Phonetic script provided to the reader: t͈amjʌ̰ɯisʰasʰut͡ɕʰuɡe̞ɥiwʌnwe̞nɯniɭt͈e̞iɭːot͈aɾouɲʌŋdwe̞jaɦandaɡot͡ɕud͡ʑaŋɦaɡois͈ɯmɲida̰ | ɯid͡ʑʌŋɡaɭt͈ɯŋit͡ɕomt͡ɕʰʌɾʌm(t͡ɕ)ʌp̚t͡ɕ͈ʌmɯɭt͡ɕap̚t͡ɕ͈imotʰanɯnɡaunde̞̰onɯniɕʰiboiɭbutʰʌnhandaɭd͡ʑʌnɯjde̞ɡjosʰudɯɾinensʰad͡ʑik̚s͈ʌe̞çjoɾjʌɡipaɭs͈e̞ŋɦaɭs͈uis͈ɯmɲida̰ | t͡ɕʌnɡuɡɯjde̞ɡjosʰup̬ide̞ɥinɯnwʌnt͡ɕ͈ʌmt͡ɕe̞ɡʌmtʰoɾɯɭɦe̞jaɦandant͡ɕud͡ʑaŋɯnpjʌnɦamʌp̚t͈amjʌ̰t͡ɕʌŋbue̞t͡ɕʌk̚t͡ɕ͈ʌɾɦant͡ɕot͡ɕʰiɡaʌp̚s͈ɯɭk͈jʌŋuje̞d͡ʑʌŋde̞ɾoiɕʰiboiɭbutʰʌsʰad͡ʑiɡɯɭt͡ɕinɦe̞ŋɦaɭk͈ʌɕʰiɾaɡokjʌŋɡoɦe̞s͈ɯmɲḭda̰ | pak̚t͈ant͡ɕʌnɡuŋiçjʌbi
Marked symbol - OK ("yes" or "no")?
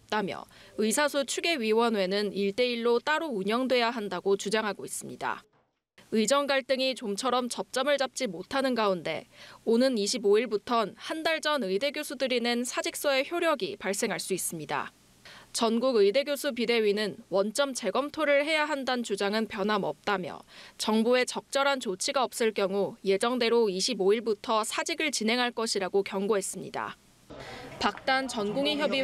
yes